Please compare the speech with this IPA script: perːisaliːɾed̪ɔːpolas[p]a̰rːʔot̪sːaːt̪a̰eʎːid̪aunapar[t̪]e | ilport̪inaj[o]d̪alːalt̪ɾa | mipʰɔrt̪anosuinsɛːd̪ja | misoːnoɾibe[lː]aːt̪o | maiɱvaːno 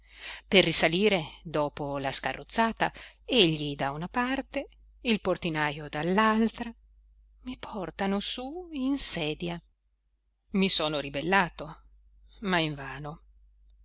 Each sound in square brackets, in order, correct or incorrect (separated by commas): incorrect, correct, correct, correct